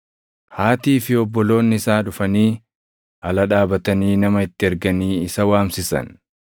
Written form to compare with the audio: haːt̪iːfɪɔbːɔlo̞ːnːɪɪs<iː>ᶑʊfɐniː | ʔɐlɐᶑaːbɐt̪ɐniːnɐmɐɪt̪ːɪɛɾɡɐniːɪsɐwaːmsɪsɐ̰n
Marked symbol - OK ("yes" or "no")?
no